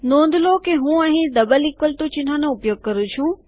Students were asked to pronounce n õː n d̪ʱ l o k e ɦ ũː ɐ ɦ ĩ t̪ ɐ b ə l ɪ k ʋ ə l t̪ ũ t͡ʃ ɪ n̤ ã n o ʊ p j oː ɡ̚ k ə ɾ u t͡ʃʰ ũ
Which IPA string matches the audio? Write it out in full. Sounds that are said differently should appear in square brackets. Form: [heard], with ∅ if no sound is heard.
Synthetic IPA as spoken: n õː n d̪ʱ l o k e ɦ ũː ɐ ɦ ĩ [d̪] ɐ b ə l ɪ k ʋ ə l t̪ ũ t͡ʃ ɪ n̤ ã n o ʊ p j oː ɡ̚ k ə ɾ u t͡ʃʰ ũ